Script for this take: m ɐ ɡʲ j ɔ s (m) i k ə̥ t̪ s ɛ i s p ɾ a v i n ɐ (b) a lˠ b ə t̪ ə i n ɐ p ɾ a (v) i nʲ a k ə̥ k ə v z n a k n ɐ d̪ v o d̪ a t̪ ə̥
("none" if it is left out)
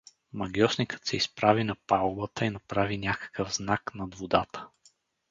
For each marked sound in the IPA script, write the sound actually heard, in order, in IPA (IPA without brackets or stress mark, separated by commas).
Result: n, p, v